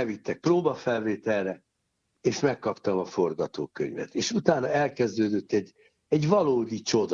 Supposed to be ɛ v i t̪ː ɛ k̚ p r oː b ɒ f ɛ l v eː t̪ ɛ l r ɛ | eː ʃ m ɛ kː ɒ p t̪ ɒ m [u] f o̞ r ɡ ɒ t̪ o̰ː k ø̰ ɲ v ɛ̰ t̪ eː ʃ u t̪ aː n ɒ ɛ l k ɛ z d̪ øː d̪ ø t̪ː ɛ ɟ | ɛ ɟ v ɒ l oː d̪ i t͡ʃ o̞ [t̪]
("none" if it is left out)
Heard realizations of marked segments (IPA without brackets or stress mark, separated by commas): ɒ, d̪